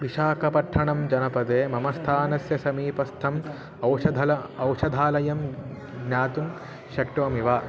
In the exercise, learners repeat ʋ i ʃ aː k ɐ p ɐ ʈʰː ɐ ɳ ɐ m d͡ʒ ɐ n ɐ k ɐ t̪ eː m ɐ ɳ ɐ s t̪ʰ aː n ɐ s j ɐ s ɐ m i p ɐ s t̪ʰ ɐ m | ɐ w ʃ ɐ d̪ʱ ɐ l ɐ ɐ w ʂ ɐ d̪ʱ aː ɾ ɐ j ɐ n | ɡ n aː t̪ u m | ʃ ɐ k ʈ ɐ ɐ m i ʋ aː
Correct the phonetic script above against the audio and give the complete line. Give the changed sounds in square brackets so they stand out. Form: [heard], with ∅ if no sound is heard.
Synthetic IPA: ʋ i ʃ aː k ɐ p ɐ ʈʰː ɐ ɳ ɐ m d͡ʒ ɐ n ɐ [p] ɐ [d̪] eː m ɐ [m] ɐ s t̪ʰ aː n ɐ s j ɐ s ɐ m [iː] p ɐ s t̪ʰ ɐ m | ɐ w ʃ ɐ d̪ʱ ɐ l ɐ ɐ w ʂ ɐ d̪ʱ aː [l] ɐ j ɐ [m] | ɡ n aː t̪ u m | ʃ ɐ k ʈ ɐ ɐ m i ʋ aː

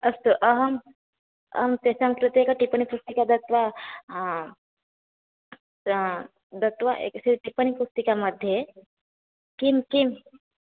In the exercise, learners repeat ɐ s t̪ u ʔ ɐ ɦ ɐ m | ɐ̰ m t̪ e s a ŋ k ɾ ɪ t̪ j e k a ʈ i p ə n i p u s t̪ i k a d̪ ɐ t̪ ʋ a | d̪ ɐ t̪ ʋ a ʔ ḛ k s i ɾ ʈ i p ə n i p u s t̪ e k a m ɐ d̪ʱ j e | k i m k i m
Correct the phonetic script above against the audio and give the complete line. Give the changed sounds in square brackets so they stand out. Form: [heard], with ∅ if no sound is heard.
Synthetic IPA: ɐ s t̪ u ʔ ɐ ɦ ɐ m | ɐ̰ m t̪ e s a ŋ k ɾ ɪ t̪ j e k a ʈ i p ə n i p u s t̪ i k a d̪ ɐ t̪ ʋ a | d̪ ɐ t̪ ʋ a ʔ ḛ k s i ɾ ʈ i p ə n i p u s t̪ [i] k a m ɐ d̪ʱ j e | k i m k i m

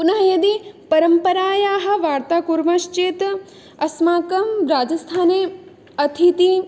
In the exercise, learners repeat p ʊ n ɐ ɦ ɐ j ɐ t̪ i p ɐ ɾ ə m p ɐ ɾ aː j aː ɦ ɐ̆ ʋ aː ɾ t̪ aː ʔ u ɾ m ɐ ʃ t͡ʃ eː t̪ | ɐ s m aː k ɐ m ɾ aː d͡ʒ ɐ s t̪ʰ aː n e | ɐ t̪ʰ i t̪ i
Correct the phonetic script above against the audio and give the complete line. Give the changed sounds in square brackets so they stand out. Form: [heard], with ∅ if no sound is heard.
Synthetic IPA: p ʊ n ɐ ɦ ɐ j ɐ [d̪] i p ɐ ɾ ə m p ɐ ɾ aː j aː ɦ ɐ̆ ʋ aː ɾ t̪ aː [k] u ɾ m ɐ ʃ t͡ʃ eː t̪ | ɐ s m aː k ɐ m ɾ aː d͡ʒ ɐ s t̪ʰ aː n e | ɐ t̪ʰ i t̪ i

